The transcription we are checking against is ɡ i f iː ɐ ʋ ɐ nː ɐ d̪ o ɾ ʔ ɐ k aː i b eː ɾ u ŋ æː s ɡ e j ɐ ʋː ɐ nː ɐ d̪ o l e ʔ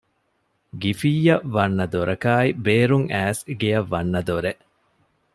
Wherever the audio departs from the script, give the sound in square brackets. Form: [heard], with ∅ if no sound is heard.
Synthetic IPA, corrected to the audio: ɡ i f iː ɐ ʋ ɐ nː ɐ d̪ o ɾ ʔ ɐ k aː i b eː ɾ u ŋ æː s ɡ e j ɐ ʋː ɐ nː ɐ d̪ o [ɾ] e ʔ